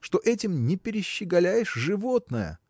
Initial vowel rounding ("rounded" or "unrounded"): rounded